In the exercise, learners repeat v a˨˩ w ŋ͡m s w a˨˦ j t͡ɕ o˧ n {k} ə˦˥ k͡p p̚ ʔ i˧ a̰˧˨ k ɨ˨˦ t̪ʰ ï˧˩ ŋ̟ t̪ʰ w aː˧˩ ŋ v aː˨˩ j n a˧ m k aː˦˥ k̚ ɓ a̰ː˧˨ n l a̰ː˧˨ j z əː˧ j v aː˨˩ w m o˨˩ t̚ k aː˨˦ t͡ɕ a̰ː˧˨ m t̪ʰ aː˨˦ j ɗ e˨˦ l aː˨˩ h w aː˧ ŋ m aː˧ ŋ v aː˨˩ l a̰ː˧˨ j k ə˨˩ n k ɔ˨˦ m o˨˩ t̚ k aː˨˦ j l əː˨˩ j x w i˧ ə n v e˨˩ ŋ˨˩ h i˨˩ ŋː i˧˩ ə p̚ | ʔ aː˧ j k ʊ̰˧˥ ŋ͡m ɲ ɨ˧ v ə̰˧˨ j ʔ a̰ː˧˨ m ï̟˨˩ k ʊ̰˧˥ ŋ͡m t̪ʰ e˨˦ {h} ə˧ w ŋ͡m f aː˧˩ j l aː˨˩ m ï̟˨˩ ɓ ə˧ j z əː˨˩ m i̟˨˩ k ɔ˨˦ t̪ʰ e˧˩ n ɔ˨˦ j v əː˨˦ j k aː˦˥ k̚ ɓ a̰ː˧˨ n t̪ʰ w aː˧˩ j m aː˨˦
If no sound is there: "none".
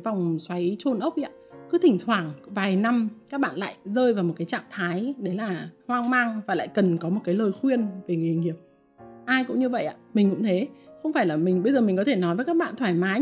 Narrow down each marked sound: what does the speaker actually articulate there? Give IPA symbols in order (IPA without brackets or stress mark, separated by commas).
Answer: ʔ, x